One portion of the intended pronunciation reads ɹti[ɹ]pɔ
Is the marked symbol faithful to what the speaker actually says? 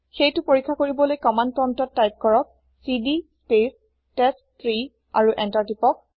no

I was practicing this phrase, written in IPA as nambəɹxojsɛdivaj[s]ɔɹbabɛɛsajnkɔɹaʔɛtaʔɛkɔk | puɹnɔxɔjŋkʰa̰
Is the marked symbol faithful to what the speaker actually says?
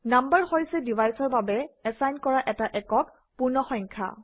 yes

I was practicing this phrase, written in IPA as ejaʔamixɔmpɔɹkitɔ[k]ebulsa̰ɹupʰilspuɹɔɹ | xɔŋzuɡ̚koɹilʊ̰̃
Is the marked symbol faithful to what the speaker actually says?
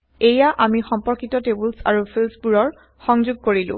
no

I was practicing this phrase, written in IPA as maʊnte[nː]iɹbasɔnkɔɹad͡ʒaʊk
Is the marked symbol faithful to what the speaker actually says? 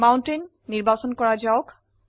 yes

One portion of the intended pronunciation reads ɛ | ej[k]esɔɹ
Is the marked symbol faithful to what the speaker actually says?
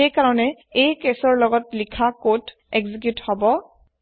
yes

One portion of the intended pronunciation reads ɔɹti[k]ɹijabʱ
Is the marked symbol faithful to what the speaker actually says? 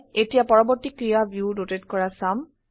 yes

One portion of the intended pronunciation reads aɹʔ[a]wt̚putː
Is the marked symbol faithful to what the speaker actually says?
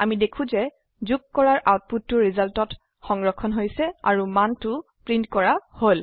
yes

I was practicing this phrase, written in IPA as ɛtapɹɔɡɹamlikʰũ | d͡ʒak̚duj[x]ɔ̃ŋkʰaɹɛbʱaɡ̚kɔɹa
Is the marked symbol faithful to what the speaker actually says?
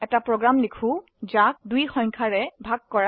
yes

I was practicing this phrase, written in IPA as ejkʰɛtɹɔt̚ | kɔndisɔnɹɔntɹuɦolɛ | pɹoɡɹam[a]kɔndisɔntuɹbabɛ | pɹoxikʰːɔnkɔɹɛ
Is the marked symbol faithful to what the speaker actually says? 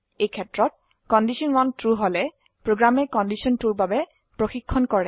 no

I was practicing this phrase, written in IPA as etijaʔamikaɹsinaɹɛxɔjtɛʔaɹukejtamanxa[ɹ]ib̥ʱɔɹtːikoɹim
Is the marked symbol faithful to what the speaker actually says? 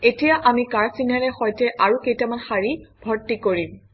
yes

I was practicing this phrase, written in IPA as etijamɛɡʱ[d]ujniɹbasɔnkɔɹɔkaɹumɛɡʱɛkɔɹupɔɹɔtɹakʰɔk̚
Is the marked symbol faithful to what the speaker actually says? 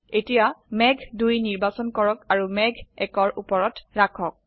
yes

